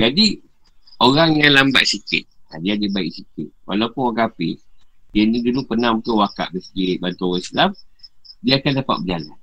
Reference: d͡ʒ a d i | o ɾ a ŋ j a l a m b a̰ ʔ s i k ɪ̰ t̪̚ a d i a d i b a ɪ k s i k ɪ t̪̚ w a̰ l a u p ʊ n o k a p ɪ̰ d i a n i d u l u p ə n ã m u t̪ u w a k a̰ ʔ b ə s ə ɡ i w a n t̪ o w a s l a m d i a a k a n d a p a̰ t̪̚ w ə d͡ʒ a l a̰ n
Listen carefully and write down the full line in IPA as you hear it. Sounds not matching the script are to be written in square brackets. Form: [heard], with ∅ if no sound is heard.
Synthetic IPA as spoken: d͡ʒ a d i | o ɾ a ŋ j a l a m b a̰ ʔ s i k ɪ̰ t̪̚ a d i a d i b a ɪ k s i k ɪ t̪̚ w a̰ l a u p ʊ n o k a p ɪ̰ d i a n i d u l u p ə n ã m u t̪ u w a k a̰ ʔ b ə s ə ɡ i [b] a n t̪ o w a s l a m d i a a k a n d a p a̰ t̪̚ [b] ə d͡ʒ a l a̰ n